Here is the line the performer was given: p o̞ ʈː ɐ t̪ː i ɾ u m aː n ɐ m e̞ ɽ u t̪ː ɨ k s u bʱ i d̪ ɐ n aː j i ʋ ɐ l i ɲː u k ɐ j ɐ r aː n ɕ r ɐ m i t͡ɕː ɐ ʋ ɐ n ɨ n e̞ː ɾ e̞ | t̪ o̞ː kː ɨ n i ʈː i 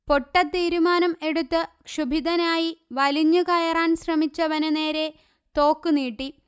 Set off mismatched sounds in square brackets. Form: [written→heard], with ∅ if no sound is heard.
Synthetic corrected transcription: p o̞ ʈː ɐ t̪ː [i→iː] ɾ u m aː n ɐ m e̞ ɽ u t̪ː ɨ k [s→ʂ] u bʱ i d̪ ɐ n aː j i ʋ ɐ l i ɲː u k ɐ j ɐ r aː n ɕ r ɐ m i t͡ɕː ɐ ʋ ɐ n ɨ n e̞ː ɾ e̞ | t̪ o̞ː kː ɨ n [i→iː] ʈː i